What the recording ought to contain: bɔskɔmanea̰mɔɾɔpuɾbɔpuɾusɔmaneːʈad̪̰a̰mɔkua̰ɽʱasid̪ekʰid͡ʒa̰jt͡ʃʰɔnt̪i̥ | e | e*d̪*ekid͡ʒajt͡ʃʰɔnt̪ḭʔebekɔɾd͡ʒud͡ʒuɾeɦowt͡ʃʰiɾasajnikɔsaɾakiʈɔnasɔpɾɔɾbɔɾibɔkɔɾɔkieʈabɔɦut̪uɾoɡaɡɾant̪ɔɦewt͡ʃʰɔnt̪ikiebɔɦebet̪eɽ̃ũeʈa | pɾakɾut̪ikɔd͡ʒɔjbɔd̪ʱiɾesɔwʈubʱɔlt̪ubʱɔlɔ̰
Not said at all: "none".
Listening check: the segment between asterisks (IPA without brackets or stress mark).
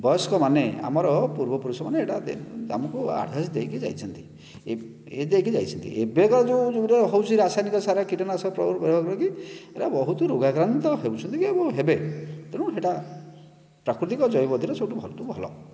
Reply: d̪